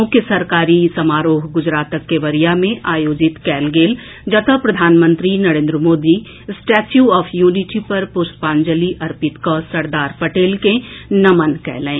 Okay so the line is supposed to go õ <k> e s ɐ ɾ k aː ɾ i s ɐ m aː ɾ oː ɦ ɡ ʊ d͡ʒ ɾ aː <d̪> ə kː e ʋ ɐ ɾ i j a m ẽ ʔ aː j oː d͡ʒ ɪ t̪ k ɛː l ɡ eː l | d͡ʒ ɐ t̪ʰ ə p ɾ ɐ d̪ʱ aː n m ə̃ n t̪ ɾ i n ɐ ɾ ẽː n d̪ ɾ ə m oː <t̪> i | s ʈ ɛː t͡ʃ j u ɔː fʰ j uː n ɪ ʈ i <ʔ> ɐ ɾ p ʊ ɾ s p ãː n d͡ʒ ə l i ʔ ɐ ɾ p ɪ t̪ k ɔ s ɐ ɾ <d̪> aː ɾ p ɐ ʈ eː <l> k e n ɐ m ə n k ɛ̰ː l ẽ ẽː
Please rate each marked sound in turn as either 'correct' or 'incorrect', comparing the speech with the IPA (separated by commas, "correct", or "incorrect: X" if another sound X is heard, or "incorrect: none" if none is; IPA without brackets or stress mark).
correct, incorrect: t̪, incorrect: d̪, incorrect: p, correct, correct